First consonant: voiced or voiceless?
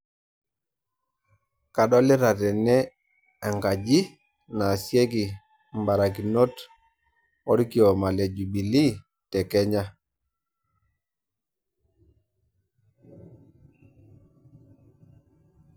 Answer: voiceless